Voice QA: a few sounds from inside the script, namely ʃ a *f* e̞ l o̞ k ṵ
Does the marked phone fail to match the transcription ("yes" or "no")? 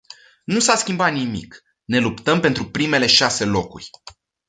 yes